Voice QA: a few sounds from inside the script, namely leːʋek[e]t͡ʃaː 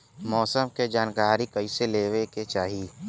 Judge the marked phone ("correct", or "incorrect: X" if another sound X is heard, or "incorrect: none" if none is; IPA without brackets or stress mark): correct